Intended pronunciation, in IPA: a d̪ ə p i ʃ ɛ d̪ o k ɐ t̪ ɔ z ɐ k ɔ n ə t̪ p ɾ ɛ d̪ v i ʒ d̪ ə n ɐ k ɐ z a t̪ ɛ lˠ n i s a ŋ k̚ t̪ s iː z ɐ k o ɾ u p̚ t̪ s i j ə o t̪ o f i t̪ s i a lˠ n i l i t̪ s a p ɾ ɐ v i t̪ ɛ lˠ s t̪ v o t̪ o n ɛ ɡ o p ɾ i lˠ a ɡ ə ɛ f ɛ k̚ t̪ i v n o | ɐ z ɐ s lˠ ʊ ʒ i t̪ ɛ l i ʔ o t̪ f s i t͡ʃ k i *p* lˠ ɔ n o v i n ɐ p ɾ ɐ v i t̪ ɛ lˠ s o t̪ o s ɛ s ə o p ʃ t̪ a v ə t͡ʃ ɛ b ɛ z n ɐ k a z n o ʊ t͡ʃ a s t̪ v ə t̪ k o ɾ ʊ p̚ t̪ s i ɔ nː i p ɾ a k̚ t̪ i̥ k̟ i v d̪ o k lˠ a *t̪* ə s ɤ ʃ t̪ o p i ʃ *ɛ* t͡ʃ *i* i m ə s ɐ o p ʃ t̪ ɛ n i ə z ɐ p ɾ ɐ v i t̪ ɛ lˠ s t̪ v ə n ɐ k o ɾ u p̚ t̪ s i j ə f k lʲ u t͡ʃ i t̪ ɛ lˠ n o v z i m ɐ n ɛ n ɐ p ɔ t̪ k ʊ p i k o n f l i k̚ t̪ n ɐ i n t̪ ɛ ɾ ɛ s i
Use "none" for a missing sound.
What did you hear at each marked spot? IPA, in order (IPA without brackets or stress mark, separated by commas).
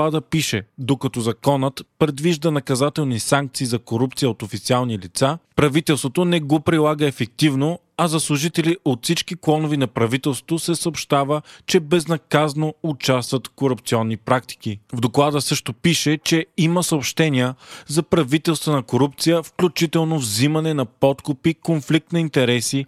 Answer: k, d̪, ɛ, ɛ